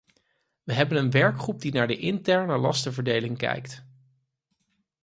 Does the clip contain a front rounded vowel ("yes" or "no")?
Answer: no